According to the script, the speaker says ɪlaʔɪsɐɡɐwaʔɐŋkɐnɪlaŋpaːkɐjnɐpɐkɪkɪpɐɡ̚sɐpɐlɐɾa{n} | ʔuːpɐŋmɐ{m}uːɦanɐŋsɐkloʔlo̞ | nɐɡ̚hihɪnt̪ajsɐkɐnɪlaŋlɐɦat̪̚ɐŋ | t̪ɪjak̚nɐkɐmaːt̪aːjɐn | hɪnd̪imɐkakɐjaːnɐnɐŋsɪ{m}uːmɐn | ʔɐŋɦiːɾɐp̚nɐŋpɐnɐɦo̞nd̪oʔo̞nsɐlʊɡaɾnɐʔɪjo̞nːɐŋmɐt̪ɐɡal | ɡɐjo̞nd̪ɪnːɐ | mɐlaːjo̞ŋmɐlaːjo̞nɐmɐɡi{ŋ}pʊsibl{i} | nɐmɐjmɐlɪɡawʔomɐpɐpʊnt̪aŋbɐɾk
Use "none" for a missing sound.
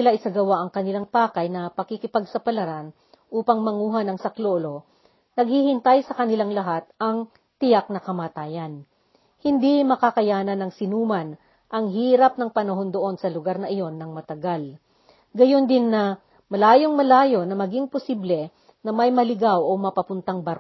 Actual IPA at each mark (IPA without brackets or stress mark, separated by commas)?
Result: n, ŋ, n, ŋ, ɛ